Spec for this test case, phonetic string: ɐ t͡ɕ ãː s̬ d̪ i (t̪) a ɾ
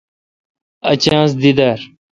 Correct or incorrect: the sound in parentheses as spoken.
incorrect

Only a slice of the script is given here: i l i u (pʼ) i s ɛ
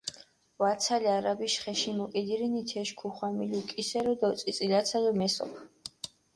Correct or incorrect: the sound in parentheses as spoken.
incorrect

